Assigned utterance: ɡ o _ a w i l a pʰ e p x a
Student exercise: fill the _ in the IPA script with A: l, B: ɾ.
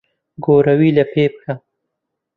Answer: B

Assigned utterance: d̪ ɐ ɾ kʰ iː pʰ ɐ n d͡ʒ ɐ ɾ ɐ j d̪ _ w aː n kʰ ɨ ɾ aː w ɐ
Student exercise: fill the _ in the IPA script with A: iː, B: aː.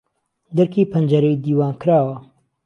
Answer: A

